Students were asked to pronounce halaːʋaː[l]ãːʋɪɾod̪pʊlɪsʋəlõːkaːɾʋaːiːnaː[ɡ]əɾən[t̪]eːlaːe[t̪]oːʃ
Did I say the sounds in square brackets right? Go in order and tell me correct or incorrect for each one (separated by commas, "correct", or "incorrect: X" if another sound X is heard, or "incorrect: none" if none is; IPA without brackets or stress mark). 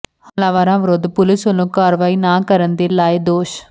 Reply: incorrect: ɾ, incorrect: k, incorrect: d̪, incorrect: d̪